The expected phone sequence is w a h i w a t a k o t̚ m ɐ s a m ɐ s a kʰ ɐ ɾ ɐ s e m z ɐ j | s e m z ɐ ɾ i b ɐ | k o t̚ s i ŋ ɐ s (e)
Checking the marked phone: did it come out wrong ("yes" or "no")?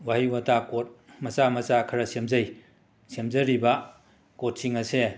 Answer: no